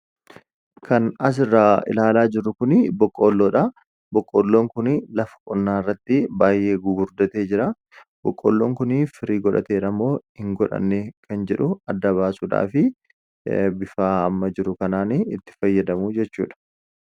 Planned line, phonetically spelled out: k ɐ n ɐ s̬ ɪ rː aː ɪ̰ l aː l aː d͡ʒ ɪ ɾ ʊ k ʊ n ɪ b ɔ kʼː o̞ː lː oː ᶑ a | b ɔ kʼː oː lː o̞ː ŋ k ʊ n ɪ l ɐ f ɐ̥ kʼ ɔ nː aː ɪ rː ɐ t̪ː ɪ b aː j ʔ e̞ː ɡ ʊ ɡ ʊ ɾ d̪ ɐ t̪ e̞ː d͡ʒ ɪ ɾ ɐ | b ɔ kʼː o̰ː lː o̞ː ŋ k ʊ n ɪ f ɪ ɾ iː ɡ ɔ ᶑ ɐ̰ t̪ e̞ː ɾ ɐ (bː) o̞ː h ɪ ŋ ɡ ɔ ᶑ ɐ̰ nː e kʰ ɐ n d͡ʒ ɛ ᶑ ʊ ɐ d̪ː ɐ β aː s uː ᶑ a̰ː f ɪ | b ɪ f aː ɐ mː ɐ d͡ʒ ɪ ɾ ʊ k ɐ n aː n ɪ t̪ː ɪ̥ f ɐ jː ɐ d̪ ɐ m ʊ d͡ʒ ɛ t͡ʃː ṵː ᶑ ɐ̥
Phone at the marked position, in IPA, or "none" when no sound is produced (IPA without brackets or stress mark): mː